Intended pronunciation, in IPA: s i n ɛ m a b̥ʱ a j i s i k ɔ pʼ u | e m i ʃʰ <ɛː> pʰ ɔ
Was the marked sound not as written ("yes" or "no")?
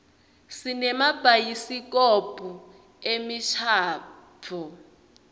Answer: yes